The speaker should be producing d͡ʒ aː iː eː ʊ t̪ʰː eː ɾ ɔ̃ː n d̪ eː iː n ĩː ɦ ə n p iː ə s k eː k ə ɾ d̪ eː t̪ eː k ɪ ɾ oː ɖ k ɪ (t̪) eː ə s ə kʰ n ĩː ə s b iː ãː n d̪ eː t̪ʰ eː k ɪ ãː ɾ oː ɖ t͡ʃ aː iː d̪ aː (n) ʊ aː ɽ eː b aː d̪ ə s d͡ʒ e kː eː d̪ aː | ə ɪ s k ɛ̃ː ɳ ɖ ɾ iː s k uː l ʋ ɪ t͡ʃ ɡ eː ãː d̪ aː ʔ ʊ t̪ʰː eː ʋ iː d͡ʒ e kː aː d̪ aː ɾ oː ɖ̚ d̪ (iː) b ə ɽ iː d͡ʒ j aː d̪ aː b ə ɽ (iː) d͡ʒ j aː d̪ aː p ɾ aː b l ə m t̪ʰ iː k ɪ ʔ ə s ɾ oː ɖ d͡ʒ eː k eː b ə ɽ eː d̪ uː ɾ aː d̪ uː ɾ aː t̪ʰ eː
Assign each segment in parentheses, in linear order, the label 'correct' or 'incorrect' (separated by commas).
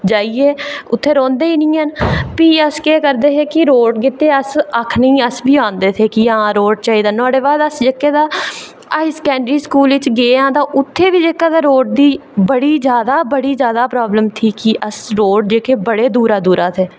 correct, correct, correct, correct